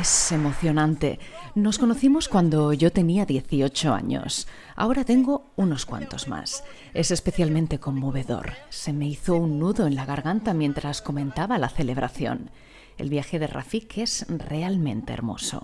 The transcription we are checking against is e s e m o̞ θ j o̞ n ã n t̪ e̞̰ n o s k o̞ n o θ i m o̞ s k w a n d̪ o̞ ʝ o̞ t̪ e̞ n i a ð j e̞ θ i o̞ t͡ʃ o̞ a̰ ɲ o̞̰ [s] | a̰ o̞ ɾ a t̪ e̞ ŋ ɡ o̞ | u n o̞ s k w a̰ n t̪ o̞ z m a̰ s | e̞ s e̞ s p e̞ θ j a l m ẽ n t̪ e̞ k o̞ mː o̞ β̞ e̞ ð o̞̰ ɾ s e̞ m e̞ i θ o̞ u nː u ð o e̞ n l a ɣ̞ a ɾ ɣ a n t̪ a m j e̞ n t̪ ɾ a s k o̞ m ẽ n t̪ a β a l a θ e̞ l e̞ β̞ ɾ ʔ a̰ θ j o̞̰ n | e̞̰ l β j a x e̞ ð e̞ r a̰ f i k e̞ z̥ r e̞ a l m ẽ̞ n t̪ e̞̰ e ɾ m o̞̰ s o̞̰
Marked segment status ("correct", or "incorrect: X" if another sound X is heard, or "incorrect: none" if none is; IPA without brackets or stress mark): correct